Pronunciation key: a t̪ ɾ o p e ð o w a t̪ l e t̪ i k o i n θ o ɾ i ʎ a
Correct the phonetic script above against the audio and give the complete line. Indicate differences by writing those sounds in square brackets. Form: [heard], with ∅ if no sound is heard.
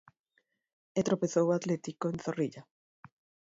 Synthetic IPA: [e] t̪ ɾ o p e [θ] o w a t̪ l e t̪ i k o [e] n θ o [r] i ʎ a